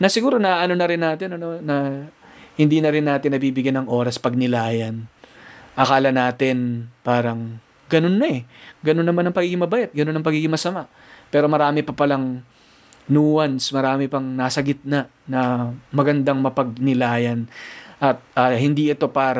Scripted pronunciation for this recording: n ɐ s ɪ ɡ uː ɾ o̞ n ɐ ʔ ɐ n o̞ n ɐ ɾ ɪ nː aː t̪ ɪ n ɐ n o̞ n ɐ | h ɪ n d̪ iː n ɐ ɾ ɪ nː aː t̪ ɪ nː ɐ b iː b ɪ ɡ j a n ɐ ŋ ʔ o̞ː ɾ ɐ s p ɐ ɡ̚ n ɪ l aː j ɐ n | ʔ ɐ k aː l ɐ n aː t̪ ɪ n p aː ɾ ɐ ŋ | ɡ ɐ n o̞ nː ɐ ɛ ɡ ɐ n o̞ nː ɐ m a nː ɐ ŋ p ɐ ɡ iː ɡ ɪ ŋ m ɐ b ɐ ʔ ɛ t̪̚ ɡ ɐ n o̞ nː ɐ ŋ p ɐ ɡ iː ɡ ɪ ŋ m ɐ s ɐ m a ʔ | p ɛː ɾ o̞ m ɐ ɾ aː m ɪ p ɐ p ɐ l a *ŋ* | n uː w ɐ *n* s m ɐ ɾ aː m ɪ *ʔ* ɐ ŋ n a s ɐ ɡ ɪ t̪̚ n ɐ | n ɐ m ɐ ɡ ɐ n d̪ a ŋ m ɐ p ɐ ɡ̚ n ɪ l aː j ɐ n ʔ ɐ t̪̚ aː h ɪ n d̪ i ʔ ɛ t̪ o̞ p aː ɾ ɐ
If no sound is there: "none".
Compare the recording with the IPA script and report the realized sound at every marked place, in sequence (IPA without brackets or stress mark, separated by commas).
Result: ŋ, n, p